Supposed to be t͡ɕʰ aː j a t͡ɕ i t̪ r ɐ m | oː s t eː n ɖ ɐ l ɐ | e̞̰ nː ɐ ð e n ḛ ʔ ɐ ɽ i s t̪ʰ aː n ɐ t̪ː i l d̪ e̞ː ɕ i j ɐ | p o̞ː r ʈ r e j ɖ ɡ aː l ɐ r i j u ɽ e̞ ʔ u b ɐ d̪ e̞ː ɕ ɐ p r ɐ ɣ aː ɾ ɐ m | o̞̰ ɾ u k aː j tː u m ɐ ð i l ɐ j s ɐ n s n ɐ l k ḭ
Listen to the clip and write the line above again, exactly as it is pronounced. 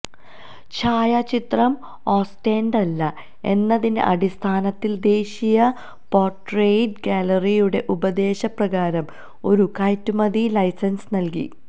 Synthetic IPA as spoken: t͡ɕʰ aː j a t͡ɕ i t̪ r ɐ m | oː s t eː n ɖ ɐ lː ɐ | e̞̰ nː ɐ ð i n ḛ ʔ ɐ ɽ i s t̪ʰ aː n ɐ t̪ː i l d̪ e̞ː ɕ i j ɐ | p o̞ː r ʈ r e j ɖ ɡ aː l ɐ r i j u ɽ e̞ ʔ u b ɐ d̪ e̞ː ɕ ɐ p r ɐ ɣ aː ɾ ɐ m | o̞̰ ɾ u k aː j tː u m ɐ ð i l ɐ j s ɐ n s n ɐ l k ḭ

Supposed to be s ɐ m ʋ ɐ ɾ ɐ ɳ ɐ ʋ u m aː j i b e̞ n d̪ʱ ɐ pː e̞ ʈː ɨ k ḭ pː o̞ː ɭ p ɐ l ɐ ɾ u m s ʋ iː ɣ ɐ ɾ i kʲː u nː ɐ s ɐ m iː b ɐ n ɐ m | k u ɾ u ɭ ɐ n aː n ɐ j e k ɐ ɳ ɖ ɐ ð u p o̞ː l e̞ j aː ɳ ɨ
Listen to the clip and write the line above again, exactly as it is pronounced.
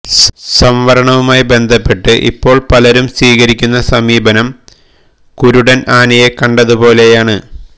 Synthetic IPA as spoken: s ɐ m ʋ ɐ ɾ ɐ ɳ ɐ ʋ u m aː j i b e̞ n d̪ʱ ɐ pː e̞ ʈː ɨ ʔ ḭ pː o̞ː ɭ p ɐ l ɐ ɾ u m s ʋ iː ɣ ɐ ɾ i kʲː u nː ɐ s ɐ m iː b ɐ n ɐ m | k u ɾ u ɽ ɐ n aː n ɐ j e k ɐ ɳ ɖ ɐ ð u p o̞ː l e̞ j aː ɳ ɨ

